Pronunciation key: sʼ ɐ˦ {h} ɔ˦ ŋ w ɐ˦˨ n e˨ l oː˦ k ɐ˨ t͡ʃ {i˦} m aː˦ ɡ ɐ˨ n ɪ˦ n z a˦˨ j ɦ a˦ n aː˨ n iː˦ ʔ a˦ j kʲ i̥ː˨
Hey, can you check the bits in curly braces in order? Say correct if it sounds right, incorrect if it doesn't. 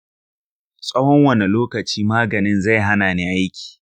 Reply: correct, incorrect: iː˦

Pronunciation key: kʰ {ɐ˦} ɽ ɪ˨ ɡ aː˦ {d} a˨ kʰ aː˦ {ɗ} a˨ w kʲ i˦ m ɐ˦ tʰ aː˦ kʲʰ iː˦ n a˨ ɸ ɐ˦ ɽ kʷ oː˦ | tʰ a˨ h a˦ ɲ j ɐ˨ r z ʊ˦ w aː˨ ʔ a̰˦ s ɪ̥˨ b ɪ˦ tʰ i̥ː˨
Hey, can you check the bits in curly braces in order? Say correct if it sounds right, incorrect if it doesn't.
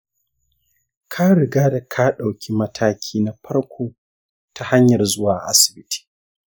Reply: incorrect: a˦, correct, correct

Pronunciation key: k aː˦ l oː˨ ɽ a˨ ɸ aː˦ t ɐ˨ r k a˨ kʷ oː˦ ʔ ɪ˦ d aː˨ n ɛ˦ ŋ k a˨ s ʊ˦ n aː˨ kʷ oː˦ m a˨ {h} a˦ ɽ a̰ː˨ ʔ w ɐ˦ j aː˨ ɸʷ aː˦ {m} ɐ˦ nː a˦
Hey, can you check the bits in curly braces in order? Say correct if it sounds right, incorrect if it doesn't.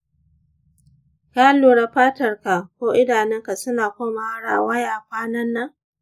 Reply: correct, incorrect: n

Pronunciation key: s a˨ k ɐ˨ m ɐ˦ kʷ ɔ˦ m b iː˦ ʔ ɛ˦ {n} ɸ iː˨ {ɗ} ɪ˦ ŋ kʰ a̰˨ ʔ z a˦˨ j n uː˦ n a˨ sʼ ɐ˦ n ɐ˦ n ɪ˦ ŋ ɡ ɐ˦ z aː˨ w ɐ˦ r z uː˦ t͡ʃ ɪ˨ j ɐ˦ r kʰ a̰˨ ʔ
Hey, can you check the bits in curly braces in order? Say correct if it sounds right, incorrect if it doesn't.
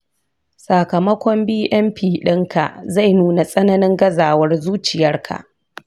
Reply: incorrect: m, correct

